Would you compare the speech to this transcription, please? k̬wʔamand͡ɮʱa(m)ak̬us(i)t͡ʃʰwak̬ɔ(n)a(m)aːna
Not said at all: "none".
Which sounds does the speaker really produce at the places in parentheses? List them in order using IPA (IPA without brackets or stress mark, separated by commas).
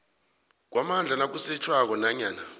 n, ɛ, n, ɲ